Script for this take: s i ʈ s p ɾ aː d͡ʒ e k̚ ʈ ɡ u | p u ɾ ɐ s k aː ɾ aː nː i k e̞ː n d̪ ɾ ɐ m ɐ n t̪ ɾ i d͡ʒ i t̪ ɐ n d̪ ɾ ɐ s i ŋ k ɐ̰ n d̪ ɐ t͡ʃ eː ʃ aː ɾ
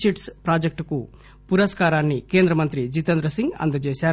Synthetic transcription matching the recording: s i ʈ s p ɾ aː d͡ʒ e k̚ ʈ k u | p u ɾ ɐ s k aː ɾ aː nː i k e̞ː n d̪ ɾ ɐ m ɐ n t̪ ɾ i d͡ʒ i t̪ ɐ n d̪ ɾ ɐ s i ŋ ɡ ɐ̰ n d̪ ɐ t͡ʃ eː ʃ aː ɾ